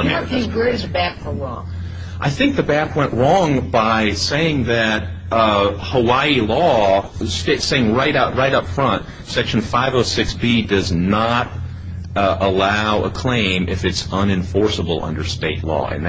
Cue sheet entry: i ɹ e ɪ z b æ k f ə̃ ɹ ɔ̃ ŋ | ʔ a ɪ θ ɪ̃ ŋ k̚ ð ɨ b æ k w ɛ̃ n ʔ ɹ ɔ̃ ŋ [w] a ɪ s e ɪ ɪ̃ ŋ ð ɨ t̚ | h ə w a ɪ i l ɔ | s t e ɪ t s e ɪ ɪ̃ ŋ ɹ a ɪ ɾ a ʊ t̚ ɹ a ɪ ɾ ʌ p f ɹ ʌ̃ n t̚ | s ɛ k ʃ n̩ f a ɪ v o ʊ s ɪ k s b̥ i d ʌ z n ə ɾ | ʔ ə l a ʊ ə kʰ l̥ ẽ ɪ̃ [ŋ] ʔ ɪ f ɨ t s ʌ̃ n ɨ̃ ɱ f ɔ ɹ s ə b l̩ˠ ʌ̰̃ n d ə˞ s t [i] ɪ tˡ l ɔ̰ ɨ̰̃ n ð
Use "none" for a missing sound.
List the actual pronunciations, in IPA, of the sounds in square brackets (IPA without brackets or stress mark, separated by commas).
b, m, e